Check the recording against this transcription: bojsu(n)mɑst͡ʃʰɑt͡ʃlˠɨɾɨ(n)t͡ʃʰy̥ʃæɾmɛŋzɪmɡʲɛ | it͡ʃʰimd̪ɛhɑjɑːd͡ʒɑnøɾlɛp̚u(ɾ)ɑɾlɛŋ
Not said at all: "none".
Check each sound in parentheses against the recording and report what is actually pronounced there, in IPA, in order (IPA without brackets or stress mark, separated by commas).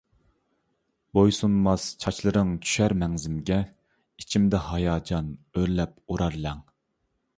n, ŋ, ɾ